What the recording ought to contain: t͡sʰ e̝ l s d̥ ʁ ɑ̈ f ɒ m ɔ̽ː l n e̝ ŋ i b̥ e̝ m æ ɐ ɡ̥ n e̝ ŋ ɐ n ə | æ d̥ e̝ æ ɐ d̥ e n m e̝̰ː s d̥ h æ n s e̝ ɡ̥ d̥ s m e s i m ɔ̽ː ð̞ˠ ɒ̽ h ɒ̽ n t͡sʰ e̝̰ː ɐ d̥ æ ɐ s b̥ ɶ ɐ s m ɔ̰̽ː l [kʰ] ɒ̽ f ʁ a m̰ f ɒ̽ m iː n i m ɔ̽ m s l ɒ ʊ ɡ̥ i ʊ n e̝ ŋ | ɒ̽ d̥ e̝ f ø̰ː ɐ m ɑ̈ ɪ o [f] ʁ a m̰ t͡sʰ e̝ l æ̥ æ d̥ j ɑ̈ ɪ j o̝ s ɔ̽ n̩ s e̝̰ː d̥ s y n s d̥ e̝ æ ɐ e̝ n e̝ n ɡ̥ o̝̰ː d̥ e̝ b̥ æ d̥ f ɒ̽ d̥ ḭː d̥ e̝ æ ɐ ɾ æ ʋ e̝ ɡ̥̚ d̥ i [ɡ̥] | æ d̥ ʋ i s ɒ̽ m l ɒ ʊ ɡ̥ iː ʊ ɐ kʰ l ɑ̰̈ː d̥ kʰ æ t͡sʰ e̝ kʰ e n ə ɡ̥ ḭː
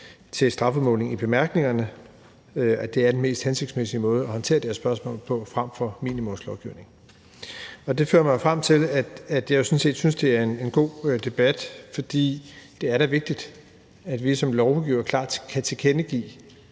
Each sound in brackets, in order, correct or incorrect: incorrect, correct, incorrect

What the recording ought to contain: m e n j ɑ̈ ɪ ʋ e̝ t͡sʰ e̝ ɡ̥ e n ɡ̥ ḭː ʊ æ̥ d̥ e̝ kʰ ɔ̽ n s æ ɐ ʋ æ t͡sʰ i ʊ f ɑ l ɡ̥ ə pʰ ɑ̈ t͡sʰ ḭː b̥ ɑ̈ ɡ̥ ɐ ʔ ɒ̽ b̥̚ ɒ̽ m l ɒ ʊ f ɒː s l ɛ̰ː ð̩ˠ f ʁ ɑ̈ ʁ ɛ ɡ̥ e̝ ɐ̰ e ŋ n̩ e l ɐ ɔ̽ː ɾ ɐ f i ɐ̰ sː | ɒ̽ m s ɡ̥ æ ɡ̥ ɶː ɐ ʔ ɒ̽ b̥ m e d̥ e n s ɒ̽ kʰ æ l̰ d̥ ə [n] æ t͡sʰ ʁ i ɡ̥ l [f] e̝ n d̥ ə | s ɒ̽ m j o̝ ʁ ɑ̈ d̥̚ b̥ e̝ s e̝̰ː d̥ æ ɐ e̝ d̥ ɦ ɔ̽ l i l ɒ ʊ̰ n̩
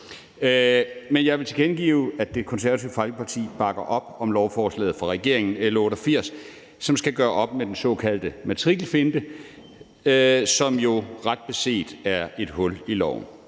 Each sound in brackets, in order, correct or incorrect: incorrect, correct

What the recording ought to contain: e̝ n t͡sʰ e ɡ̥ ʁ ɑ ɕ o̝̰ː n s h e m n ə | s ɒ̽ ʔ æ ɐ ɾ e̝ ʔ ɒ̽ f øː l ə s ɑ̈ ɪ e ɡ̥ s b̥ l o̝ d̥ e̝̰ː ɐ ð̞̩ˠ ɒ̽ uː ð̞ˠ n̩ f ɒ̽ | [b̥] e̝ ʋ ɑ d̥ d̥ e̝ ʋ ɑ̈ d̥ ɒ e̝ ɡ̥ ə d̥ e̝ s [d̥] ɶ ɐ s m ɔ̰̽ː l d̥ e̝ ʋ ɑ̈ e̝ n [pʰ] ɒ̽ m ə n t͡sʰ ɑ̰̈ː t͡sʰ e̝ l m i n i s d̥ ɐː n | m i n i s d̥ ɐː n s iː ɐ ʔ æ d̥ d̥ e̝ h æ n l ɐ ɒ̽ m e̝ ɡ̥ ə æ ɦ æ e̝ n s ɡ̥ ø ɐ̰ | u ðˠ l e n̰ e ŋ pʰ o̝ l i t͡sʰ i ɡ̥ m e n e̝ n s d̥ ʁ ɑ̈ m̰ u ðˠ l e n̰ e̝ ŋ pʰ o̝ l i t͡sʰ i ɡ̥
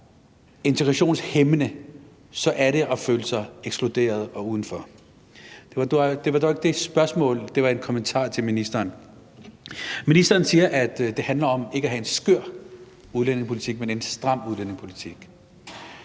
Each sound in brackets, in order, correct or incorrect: incorrect, incorrect, incorrect

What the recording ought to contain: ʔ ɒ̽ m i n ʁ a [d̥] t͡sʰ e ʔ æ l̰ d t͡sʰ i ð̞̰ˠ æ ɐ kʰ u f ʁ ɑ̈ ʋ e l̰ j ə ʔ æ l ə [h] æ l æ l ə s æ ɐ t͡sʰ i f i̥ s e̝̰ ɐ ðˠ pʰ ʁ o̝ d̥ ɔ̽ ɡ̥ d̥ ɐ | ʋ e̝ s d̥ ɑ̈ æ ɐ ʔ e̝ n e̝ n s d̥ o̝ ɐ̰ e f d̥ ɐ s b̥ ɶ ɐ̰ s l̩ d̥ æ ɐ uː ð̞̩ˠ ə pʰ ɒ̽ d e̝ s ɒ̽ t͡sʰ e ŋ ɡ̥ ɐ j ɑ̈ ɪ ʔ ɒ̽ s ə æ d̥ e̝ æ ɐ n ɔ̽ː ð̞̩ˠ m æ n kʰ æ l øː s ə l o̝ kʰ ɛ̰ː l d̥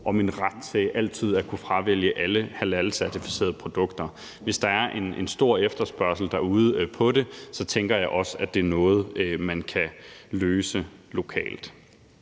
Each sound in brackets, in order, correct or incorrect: correct, correct

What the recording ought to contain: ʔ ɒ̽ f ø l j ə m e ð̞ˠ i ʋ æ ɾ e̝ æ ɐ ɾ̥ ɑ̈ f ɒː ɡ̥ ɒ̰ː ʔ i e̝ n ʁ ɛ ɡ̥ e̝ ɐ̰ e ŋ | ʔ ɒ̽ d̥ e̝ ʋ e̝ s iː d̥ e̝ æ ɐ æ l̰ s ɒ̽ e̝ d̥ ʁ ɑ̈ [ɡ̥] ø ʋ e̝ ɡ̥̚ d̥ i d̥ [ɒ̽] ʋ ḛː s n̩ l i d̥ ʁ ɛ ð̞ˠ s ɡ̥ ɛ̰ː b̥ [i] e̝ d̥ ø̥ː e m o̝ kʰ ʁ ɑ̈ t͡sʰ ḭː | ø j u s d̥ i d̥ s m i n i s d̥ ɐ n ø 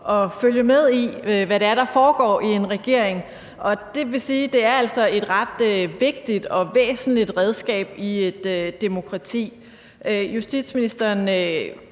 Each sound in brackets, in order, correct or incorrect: incorrect, correct, correct

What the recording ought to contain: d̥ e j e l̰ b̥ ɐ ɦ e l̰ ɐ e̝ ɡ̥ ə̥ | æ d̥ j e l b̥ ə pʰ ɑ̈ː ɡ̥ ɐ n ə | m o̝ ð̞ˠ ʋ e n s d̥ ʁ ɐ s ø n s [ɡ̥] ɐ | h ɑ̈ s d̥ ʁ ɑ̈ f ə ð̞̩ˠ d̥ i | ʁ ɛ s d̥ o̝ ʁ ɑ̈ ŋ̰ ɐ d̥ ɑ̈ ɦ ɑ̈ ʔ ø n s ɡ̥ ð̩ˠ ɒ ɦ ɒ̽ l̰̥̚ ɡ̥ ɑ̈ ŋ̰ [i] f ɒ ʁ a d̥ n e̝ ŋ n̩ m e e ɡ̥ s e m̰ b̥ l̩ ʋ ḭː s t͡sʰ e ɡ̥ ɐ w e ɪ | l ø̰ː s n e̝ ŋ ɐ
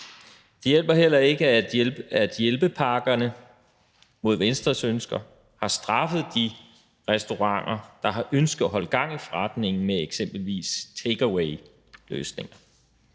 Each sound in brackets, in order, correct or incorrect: correct, correct

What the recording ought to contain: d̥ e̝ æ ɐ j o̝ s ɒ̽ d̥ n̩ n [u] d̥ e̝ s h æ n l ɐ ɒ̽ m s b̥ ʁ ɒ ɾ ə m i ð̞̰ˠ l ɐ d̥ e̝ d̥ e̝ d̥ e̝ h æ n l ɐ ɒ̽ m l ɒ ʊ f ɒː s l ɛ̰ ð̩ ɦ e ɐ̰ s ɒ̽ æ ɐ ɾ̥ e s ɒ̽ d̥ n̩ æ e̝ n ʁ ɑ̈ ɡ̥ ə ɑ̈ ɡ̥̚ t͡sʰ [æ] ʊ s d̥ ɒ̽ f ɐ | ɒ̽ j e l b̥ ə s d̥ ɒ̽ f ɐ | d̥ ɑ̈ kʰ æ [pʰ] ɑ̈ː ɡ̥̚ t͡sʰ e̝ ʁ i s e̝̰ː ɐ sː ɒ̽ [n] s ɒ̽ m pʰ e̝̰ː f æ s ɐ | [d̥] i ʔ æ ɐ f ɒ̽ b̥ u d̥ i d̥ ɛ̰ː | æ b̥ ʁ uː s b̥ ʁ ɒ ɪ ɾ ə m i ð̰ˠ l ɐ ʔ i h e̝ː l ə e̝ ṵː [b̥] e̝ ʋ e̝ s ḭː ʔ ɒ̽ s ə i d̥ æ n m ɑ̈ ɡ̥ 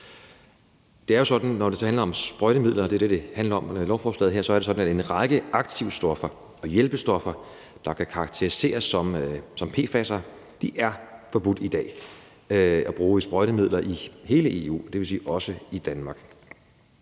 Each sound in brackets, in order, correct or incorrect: incorrect, incorrect, incorrect, incorrect, correct, incorrect

